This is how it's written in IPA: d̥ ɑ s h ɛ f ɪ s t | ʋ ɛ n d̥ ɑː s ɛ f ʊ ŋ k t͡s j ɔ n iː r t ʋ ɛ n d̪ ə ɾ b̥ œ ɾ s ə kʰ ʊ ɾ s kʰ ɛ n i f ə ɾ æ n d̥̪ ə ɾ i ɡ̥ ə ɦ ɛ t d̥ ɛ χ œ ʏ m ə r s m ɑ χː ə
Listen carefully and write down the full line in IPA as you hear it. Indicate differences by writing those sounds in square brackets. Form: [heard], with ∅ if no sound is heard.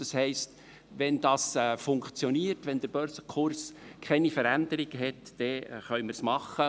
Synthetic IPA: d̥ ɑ s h ɛ [∅] ɪ s t | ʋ ɛ n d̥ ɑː s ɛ f ʊ ŋ k t͡s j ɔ n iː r t ʋ ɛ n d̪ ə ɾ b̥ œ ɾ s ə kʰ ʊ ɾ s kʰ ɛ n i f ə ɾ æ n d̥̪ ə ɾ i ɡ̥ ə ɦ ɛ t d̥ ɛ χ œ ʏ m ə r s m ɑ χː ə

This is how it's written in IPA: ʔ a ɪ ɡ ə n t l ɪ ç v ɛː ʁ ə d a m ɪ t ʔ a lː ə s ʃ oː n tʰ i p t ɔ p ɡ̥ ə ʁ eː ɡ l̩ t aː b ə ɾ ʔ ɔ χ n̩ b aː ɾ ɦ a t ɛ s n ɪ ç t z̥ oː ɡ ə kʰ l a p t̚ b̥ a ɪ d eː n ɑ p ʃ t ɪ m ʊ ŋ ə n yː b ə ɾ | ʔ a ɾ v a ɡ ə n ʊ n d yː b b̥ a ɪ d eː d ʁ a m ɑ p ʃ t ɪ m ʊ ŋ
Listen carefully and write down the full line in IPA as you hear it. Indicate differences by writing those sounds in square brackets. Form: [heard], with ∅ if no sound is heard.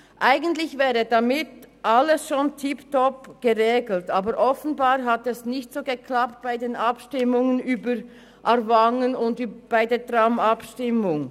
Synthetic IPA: ʔ a ɪ ɡ ə n t l ɪ ç v ɛː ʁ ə d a m ɪ t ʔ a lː ə s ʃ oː n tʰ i p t ɔ p ɡ̥ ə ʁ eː ɡ l̩ t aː b ə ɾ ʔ ɔ [f] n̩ b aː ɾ ɦ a t ɛ s n ɪ ç t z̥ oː ɡ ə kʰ l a p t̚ b̥ a ɪ d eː n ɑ p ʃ t ɪ m ʊ ŋ ə n yː b ə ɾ | ʔ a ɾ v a [ŋ] ə n ʊ n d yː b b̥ a ɪ d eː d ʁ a m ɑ p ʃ t ɪ m ʊ ŋ

